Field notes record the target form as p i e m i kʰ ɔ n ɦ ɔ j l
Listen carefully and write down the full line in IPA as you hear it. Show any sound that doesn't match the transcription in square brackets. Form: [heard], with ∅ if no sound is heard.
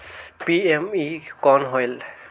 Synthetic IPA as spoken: p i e m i [k] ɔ n ɦ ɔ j l